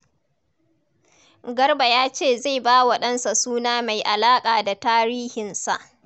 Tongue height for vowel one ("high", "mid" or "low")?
low